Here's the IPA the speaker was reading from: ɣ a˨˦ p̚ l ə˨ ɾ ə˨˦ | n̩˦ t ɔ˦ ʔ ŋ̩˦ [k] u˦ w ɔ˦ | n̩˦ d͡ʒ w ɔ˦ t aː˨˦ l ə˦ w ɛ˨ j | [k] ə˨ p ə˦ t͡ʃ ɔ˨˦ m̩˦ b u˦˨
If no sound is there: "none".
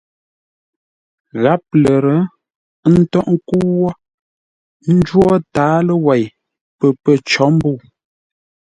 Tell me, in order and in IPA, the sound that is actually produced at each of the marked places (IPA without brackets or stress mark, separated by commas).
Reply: k, p